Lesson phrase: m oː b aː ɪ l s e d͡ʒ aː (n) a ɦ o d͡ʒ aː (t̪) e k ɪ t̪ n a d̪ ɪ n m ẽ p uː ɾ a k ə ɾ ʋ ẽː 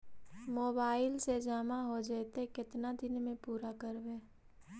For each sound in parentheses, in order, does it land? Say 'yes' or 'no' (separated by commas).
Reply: no, yes